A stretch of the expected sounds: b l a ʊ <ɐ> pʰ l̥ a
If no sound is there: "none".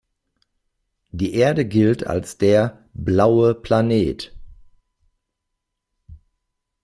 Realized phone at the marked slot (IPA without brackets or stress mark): ə